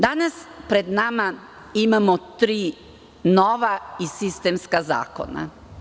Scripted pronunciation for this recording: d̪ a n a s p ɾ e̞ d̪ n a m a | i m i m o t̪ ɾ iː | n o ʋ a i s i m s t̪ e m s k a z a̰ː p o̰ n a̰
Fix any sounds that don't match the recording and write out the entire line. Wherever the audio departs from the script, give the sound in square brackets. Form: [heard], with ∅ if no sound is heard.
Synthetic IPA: d̪ a n a s p ɾ e̞ d̪ n a m a | i m [a] m o t̪ ɾ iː | n o ʋ a i s i [∅] s t̪ e m s k a z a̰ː [k] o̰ n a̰